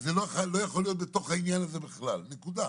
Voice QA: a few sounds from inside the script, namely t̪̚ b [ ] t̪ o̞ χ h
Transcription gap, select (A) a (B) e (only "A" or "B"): B